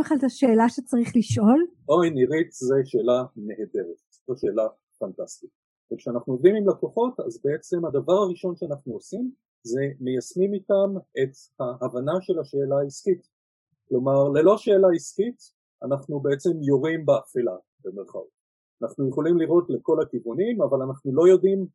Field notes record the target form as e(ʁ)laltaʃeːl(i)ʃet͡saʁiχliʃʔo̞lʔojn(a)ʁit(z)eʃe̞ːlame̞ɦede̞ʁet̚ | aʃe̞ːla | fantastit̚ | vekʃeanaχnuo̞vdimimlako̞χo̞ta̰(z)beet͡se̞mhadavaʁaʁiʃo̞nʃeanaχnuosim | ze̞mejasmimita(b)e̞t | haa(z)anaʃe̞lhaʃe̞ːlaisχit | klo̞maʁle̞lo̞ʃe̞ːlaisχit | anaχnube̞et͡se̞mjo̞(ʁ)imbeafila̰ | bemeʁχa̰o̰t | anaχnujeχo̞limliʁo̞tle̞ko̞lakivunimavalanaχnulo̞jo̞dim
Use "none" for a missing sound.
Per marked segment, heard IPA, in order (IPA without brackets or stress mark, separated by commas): χ, a, i, z, z, m, v, ʁ